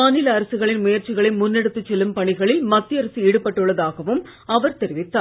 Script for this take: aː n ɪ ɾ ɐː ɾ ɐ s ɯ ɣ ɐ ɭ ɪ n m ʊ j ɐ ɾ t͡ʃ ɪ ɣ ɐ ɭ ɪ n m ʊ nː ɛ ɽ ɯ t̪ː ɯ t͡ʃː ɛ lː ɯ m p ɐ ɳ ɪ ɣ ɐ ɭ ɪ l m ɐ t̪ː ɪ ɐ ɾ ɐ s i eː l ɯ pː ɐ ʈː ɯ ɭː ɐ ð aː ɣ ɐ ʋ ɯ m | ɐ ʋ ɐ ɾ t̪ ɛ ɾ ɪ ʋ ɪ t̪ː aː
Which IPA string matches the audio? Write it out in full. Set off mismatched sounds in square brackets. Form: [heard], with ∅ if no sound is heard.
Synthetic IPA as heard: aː n ɪ [l] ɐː ɾ ɐ s ɯ ɣ ɐ ɭ ɪ n m ʊ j ɐ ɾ t͡ʃ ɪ ɣ ɐ ɭ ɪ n m ʊ nː ɛ ɽ ɯ t̪ː ɯ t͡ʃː ɛ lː ɯ m p ɐ ɳ ɪ ɣ ɐ ɭ ɪ l m ɐ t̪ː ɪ ɐ ɾ ɐ s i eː [ɽ] ɯ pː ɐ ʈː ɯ ɭː ɐ ð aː ɣ ɐ ʋ ɯ m | ɐ ʋ ɐ ɾ t̪ ɛ ɾ ɪ ʋ ɪ t̪ː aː